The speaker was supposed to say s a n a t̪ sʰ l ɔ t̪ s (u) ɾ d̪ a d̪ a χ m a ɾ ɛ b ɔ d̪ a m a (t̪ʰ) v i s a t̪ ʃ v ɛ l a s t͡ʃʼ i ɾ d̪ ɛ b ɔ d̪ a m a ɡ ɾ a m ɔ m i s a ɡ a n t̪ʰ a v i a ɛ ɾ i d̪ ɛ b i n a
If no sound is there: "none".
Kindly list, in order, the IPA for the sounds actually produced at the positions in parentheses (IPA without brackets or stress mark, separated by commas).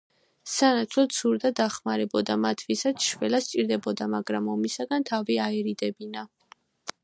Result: u, t̪ʰ